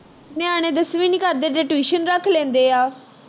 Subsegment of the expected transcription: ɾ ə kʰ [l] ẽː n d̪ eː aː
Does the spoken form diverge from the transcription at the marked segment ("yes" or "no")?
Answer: no